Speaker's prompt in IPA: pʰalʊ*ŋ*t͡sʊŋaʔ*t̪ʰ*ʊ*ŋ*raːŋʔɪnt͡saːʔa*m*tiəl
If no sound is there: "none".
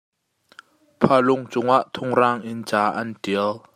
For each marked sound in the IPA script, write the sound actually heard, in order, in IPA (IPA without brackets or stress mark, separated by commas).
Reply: ŋ, t̪ʰ, ŋ, n